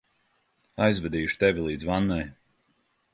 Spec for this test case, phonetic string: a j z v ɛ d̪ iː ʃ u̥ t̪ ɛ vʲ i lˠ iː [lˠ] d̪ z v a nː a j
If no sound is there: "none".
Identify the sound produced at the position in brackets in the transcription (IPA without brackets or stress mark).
none